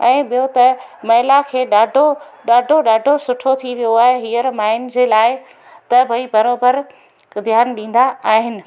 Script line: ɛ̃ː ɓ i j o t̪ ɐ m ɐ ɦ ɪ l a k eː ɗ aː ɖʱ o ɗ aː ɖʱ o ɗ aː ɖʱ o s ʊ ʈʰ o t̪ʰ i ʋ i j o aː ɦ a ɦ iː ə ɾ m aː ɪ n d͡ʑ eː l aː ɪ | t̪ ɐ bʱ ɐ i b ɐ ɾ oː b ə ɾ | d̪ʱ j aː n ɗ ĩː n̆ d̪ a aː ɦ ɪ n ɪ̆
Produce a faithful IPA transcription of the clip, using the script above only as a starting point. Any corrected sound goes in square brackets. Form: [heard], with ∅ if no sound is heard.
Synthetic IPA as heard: ɛ̃ː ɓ i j o t̪ ɐ m ɐ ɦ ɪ l a [kʰ] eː ɗ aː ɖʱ o ɗ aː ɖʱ o ɗ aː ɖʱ o s ʊ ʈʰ o t̪ʰ i ʋ i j o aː ɦ [e] ɦ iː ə ɾ m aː ɪ n d͡ʑ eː l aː ɪ | t̪ ɐ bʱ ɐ i b ɐ ɾ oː b ə ɾ | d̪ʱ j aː n ɗ ĩː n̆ d̪ a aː ɦ ɪ n ɪ̆

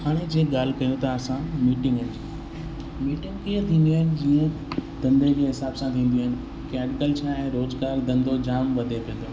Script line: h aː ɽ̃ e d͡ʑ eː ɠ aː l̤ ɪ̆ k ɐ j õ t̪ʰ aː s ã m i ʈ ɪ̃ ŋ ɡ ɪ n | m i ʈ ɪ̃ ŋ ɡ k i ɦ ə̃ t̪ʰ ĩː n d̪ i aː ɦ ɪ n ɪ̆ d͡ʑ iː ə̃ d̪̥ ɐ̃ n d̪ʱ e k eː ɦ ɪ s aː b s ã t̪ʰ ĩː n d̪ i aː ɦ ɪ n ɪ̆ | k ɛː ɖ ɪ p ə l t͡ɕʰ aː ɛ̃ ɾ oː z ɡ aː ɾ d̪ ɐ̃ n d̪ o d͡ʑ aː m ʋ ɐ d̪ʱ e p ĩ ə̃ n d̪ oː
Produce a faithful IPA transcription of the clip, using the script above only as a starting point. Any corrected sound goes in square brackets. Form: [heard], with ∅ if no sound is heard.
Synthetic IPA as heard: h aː ɽ̃ e d͡ʑ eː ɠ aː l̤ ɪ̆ k ɐ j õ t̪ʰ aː s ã m [iː] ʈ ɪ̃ ŋ ɡ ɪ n | m [iː] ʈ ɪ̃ ŋ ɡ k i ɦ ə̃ t̪ʰ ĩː n d̪ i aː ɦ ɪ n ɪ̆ d͡ʑ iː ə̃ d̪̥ ɐ̃ n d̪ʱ e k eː ɦ ɪ s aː b s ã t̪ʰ ĩː n d̪ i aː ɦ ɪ n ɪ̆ | k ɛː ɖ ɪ [k] ə l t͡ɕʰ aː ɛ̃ ɾ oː z ɡ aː ɾ d̪ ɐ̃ n d̪ o d͡ʑ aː m ʋ ɐ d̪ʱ e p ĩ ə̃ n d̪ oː

